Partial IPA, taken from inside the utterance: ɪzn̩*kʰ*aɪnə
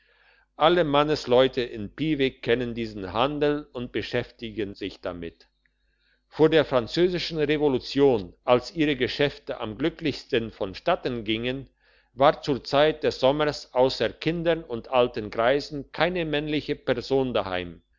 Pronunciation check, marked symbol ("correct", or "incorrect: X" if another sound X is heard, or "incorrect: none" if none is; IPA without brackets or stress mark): correct